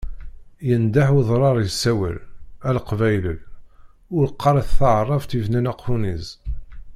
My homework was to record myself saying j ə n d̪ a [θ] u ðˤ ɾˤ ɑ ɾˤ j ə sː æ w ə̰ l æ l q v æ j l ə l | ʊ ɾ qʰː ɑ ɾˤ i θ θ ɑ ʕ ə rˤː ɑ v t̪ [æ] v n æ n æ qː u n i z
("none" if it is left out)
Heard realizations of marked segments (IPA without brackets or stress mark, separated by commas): ħ, i